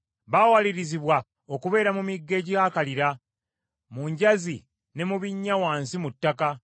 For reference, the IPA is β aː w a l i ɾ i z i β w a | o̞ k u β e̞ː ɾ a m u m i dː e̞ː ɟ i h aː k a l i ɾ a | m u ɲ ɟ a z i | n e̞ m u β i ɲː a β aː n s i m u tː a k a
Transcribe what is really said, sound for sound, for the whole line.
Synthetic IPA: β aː w a l i ɾ i z i β w a | o̞ k u β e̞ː ɾ a m u m i ɡː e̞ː ɟ i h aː k a l i ɾ a | m u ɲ ɟ a z i | n e̞ m u β i ɲː a w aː n s i m u tː a k a

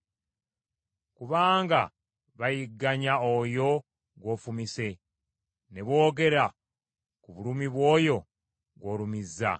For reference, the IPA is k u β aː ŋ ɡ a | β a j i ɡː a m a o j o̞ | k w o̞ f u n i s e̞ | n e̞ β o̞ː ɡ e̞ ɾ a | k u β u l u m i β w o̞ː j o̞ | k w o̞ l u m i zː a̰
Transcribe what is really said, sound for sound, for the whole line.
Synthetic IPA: k u β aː ŋ ɡ a | β a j i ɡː a ɲ a o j o̞ | ɡ w o̞ f u m i s e̞ | n e̞ β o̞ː ɡ e̞ ɾ a | k u β u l u m i β w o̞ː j o̞ | ɡ w o̞ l u m i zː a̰

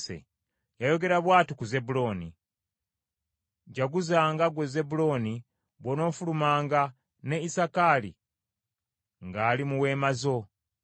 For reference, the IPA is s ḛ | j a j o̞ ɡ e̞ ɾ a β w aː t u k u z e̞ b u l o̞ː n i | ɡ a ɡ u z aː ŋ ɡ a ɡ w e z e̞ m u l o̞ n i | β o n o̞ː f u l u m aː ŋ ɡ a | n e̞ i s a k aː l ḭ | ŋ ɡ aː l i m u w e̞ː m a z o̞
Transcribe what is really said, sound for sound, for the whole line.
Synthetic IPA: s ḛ | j a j o̞ ɡ e̞ ɾ a β w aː t u k u z e̞ b u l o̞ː n i | ɟ a ɡ u z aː ŋ ɡ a ɡ w e z e̞ b u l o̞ n i | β o n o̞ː f u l u m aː ŋ ɡ a | n e̞ i s a k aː l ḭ | ŋ ɡ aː l i m u w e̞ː m a z o̞

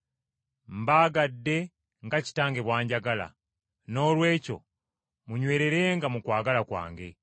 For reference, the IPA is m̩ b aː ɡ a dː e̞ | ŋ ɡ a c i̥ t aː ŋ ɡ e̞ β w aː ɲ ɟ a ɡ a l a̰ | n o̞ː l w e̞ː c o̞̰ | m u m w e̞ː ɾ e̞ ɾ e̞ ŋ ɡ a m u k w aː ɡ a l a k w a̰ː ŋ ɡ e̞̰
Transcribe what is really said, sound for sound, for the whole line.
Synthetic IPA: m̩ b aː ɡ a dː e̞ | ŋ ɡ a c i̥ t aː ŋ ɡ e̞ β w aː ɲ ɟ a ɡ a l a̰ | n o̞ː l w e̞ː c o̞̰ | m u ɲ w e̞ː ɾ e̞ ɾ e̞ ŋ ɡ a m u k w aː ɡ a l a k w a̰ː ŋ ɡ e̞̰

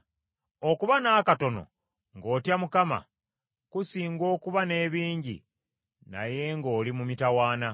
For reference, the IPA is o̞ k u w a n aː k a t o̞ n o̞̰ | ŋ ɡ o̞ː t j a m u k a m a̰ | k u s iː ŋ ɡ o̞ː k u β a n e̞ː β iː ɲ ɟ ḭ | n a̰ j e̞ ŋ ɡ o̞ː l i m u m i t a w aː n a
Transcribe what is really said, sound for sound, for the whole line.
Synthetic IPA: o̞ k u β a n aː k a t o̞ n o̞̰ | ŋ ɡ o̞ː t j a m u k a m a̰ | k u s iː ŋ ɡ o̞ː k u β a n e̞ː β iː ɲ ɟ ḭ | n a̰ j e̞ ŋ ɡ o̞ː l i m u m i t a w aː n a

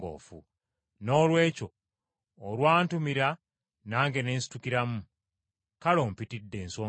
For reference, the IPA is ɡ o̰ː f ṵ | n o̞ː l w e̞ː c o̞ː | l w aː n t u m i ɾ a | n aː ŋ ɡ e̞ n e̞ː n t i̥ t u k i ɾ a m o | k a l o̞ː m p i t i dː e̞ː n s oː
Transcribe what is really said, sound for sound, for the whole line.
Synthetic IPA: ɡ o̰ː f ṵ | n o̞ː l w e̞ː c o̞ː | l w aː n t u m i ɾ a | n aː ŋ ɡ e̞ n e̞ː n s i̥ t u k i ɾ a m u | k a l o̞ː m p i t i dː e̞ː n s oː

